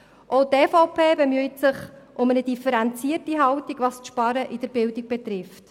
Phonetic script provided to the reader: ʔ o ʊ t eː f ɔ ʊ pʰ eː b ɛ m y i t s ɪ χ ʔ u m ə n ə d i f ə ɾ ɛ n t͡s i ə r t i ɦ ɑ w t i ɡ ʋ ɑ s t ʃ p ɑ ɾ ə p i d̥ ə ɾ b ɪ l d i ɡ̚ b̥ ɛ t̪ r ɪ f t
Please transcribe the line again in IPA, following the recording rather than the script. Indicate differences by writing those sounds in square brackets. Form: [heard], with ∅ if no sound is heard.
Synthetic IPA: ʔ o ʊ t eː f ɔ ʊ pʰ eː b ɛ m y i t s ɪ χ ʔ [ʊ] m ə n ə d i f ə ɾ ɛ n t͡s i ə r t i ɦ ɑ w t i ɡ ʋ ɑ s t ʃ p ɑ ɾ ə [ʔ] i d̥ ə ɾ b ɪ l d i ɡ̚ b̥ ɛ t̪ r ɪ f t